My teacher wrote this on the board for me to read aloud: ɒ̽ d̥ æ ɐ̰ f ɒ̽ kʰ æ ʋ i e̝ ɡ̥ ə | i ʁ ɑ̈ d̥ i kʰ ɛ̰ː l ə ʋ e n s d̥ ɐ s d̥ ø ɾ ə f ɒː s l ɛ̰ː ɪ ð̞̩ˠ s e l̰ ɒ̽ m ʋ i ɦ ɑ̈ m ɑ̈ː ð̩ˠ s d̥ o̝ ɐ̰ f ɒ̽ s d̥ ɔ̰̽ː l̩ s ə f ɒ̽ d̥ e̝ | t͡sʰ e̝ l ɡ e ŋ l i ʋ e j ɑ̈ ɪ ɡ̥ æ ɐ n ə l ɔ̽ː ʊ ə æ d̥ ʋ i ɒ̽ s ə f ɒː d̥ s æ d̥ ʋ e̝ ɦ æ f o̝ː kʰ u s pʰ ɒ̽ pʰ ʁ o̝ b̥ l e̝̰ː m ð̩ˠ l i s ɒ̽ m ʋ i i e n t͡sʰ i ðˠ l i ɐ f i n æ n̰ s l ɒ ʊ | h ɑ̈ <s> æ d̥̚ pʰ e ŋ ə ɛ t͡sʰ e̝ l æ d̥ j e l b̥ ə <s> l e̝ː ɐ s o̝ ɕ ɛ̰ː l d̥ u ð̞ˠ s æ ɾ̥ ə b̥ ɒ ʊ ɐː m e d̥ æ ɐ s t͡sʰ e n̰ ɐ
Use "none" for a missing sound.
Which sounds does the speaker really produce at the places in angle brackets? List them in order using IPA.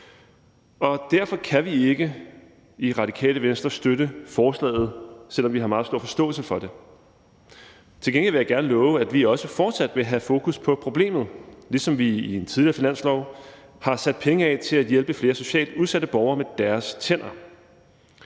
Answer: s, f

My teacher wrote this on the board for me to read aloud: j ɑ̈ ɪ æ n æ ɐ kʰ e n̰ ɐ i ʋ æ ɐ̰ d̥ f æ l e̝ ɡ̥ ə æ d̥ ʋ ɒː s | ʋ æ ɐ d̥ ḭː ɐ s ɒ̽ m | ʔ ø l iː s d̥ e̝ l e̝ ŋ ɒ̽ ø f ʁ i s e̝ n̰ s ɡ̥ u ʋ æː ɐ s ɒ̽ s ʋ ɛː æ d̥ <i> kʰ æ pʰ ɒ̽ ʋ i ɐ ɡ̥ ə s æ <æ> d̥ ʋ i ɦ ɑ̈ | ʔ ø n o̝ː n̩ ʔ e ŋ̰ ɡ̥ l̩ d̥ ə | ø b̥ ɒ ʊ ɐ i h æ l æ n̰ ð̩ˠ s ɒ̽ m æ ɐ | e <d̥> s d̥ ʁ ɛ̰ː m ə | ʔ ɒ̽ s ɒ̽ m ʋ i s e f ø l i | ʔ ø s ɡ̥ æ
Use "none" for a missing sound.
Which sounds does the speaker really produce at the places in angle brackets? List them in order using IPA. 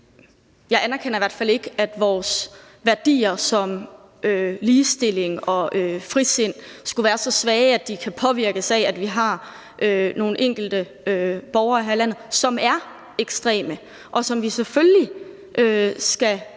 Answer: i, æ, ɡ̥

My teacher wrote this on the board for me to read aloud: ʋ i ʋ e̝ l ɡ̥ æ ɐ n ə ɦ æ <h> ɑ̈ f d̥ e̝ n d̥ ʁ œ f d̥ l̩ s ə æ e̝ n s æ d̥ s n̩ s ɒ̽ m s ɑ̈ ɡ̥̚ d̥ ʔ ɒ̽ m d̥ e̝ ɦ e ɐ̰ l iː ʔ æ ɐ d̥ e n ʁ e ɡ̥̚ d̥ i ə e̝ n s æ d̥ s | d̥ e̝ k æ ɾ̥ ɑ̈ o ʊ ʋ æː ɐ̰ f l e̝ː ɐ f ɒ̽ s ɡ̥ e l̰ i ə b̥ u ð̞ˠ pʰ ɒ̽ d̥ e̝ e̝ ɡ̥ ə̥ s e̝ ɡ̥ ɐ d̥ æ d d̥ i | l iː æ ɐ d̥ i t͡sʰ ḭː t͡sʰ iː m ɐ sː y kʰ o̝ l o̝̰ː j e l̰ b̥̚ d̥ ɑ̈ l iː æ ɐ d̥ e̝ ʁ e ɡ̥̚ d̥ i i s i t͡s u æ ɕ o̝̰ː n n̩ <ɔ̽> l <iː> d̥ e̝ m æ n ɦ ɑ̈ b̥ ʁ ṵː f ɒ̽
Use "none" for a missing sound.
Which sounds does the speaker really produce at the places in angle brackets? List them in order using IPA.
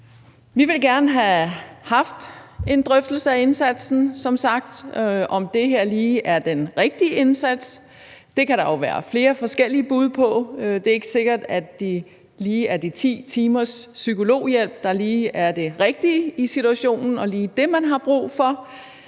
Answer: h, ɒ̽, iː

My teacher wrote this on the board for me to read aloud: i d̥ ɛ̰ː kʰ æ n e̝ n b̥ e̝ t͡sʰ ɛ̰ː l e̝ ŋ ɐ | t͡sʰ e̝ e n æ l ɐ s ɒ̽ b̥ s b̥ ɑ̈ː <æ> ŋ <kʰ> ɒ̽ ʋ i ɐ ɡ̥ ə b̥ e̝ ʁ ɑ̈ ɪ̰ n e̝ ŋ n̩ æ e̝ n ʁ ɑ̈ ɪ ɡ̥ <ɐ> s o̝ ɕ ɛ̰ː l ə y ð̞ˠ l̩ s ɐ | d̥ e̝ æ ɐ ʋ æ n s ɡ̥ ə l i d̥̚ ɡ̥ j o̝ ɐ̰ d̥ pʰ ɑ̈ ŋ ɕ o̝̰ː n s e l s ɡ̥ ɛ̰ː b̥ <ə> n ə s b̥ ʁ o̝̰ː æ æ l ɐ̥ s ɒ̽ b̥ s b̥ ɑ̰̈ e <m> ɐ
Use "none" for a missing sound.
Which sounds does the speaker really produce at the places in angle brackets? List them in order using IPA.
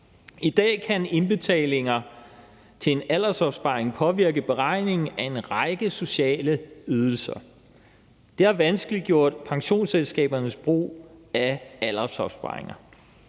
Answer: e, pʰ, ə, ɐ, ŋ

